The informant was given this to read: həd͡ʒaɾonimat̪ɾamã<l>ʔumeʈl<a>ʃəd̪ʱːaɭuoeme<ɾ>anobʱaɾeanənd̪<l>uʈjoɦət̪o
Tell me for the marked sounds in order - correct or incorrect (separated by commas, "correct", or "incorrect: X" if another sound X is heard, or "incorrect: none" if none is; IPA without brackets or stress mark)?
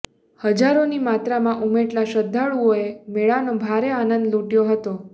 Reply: incorrect: none, correct, incorrect: ɭ, correct